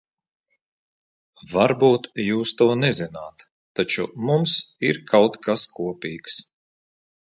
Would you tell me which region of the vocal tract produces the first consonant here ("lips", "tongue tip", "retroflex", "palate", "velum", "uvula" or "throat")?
lips